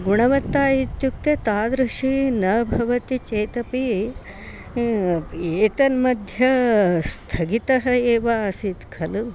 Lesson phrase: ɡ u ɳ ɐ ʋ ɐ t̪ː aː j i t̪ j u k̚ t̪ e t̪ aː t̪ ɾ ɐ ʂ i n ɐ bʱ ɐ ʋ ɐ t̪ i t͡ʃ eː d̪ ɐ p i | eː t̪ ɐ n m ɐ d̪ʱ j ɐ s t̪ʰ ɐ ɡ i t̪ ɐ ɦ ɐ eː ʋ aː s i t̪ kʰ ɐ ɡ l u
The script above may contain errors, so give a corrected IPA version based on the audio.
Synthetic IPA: ɡ u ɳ ɐ ʋ ɐ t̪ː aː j i t̪ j u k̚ t̪ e t̪ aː d̪ ɾ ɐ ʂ i n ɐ bʱ ɐ ʋ ɐ t̪ i t͡ʃ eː t̪ ɐ p i | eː t̪ ɐ n m ɐ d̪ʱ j ɐ s t̪ʰ ɐ ɡ i t̪ ɐ ɦ ɐ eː ʋ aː s i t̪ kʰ ɐ l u